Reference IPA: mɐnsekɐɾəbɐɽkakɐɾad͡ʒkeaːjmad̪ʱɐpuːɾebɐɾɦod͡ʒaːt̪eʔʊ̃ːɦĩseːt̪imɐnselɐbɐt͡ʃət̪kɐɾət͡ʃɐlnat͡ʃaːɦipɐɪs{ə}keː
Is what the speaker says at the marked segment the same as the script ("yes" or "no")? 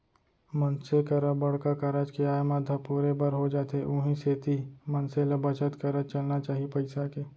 no